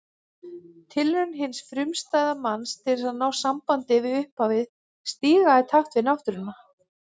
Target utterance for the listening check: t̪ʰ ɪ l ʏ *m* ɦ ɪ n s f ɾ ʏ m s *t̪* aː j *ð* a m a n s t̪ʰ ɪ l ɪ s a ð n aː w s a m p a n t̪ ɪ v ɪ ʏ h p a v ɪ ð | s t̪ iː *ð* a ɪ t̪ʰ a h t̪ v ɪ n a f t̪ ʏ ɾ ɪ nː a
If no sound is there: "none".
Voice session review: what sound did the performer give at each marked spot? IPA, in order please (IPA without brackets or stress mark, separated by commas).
n, t̪, ð, ɣ